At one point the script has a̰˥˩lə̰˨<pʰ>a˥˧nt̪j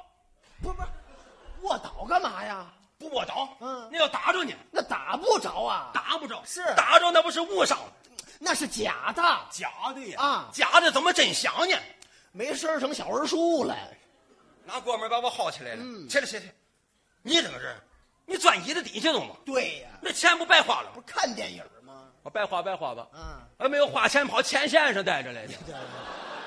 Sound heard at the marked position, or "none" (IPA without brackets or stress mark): kʰ